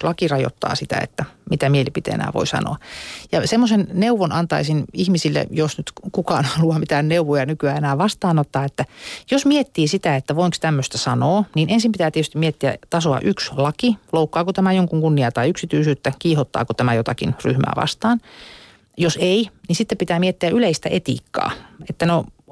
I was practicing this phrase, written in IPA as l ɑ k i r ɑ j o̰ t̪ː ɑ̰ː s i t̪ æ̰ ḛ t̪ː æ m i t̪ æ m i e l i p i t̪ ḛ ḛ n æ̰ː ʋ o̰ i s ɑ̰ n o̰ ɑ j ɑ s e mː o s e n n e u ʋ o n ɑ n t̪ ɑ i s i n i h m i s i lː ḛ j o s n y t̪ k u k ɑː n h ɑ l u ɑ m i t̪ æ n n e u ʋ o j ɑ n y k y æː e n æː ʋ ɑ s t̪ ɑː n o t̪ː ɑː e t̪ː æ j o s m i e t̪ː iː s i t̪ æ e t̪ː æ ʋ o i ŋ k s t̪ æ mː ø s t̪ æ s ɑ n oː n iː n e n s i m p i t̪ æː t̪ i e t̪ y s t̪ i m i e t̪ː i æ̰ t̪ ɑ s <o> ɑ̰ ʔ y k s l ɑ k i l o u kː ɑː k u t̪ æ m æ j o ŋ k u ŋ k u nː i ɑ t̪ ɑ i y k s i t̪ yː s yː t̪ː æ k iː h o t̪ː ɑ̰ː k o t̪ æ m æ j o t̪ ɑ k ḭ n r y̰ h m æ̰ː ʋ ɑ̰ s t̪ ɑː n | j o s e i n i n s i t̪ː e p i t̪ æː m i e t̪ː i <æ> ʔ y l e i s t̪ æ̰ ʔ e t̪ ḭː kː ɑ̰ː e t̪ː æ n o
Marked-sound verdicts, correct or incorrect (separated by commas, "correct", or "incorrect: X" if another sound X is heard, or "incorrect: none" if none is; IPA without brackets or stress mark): correct, correct